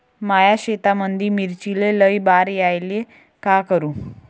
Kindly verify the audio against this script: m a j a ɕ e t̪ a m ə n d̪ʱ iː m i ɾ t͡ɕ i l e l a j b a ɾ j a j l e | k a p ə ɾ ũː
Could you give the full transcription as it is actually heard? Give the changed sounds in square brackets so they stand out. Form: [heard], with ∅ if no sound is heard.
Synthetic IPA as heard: m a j a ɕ e t̪ a m ə n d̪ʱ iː m i ɾ t͡ɕ i l e l [ə] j b a ɾ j a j l e | k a [k] ə ɾ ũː